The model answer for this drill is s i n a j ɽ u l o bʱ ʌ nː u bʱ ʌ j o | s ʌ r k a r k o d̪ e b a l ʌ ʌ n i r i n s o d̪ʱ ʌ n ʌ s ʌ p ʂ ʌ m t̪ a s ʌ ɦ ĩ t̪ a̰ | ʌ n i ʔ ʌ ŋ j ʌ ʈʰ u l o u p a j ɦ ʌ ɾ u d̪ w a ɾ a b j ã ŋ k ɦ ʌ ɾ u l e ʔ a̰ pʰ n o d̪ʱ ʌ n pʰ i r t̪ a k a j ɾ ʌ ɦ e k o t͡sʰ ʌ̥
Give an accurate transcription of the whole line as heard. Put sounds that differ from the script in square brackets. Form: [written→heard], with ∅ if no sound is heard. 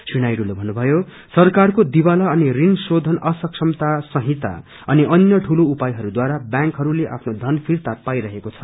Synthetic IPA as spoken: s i n a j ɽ u l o bʱ ʌ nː u bʱ ʌ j o | s ʌ r k a r k o d̪ [e→i] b a l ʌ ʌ n i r i n s o d̪ʱ ʌ n ʌ s ʌ [p→k] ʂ ʌ m t̪ a s ʌ ɦ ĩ t̪ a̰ | ʌ n i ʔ ʌ [ŋ→n] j ʌ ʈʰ u l o u p a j ɦ ʌ ɾ u d̪ w a ɾ a b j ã ŋ k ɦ ʌ ɾ u l e ʔ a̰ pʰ n o d̪ʱ ʌ n pʰ i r t̪ a [k→p] a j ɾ ʌ ɦ e k o t͡sʰ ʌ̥